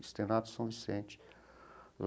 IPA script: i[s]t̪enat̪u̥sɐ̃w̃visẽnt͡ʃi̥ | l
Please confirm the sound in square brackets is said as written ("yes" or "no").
yes